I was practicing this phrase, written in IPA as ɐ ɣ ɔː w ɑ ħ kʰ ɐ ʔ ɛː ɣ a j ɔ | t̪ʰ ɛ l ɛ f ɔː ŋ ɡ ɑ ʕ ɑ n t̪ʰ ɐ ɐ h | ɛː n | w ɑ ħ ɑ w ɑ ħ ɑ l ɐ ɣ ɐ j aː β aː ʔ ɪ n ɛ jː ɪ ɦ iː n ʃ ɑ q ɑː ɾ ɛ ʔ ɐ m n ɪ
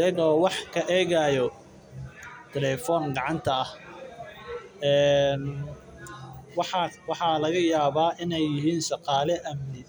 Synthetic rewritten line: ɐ ɣ ɔː w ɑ ħ kʰ ɐ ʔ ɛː ɣ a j ɔ | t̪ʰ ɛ l ɛ f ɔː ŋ ɡ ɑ ʕ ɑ n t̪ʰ ɐ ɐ h | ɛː n | w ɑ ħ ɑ w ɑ ħ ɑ l ɐ ɣ ɐ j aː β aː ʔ ɪ n ɛ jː ɪ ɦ iː n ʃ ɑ q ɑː l ɛ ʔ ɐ m n ɪ